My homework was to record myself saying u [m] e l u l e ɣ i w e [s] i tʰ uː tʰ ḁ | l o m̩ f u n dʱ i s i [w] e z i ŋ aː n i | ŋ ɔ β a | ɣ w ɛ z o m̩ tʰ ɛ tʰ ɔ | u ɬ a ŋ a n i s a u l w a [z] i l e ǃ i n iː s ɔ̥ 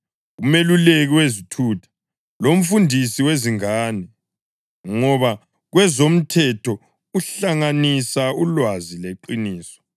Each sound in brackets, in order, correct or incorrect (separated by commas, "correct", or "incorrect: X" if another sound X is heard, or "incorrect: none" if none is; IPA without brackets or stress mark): correct, incorrect: z, correct, correct